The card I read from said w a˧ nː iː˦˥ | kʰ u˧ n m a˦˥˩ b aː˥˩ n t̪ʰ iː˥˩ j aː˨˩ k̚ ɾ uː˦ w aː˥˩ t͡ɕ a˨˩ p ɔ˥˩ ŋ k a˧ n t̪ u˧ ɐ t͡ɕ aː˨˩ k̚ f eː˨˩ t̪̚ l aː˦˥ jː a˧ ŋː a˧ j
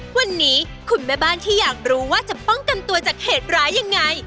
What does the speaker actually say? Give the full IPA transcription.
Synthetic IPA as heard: w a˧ nː iː˦˥ | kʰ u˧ n m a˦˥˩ b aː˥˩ n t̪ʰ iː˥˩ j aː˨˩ k̚ ɾ uː˦ w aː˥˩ t͡ɕ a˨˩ p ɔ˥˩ ŋ k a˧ n t̪ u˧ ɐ t͡ɕ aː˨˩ k̚ h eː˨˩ t̪̚ ɾ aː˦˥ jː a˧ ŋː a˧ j